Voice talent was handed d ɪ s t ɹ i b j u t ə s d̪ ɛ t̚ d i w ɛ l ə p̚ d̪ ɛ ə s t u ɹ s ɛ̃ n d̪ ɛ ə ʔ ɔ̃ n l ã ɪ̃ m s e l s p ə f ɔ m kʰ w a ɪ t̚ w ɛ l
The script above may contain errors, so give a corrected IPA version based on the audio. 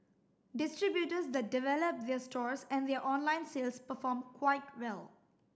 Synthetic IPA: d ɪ s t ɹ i b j u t ə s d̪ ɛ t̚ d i v ɛ l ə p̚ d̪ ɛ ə s t ɔ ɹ s ɛ̃ n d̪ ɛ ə ʔ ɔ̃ n l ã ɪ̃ n s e l s p ə f ɔ m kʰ w a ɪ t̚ w ɛ l